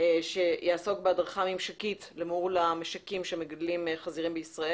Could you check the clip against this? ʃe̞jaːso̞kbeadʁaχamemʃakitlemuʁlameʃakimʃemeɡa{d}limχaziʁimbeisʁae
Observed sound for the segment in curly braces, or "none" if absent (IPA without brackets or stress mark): d